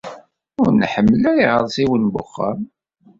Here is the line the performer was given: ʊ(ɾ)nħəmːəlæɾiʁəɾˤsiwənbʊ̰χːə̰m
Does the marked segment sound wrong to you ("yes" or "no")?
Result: no